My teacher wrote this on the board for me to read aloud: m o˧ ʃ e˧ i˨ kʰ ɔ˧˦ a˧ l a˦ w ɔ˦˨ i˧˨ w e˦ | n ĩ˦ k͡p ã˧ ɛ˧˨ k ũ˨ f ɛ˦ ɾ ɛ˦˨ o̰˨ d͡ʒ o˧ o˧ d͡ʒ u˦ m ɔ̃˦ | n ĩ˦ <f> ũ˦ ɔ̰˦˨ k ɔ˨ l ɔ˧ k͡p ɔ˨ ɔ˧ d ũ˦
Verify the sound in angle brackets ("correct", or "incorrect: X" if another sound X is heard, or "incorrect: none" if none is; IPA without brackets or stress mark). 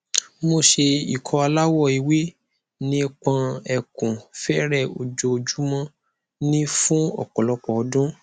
correct